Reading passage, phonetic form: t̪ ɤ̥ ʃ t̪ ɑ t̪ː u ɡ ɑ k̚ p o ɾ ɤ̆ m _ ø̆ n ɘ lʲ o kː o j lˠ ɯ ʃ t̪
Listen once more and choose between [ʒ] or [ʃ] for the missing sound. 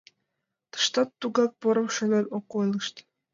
ʃ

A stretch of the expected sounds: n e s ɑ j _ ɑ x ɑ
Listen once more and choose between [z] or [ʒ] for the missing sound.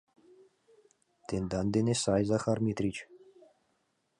z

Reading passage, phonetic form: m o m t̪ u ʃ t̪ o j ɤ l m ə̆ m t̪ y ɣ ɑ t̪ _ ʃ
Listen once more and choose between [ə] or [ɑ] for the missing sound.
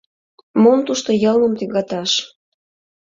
ɑ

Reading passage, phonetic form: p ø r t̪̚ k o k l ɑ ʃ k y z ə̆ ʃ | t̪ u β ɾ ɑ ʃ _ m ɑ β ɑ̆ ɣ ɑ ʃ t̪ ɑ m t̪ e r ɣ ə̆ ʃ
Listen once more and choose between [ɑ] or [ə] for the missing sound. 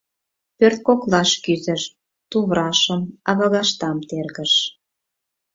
ə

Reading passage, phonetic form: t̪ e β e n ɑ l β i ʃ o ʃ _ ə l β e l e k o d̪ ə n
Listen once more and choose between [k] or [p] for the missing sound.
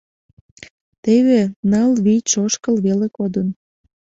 k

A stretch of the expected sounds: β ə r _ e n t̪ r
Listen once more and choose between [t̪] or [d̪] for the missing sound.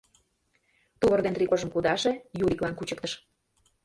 d̪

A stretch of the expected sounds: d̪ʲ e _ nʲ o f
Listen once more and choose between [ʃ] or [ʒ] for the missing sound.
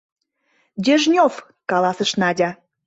ʒ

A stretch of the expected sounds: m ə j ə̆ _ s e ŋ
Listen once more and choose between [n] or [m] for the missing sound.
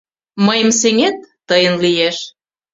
m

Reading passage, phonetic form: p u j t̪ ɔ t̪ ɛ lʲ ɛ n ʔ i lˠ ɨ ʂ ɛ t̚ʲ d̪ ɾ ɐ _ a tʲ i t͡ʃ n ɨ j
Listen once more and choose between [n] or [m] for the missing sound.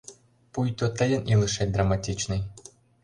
m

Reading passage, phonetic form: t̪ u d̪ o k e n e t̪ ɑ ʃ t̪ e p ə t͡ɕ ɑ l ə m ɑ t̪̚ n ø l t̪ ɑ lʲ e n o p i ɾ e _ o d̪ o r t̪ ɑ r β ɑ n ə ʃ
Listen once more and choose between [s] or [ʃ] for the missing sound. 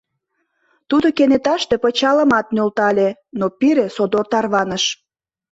s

